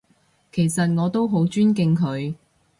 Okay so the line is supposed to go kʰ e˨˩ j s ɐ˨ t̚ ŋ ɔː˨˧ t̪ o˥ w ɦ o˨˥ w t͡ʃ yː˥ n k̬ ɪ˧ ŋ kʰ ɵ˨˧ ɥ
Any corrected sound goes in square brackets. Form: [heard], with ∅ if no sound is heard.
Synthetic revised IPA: kʰ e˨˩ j s ɐ˨ t̚ ŋ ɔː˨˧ t̪ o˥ w ɦ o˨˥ w t͡ʃ yː˥ n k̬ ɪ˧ ŋ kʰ ɵ˨˧ ɥ